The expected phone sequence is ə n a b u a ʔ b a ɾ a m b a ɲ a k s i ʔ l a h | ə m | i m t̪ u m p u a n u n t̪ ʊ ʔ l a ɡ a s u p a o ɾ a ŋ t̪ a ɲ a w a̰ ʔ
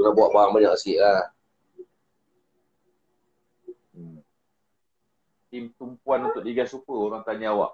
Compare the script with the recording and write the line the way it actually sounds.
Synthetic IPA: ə n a b u a ʔ b a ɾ a ŋ b a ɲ a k s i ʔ l a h | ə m | i m t̪ u m p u a n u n t̪ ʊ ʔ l i ɡ a s u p ə o ɾ a ŋ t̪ a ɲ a w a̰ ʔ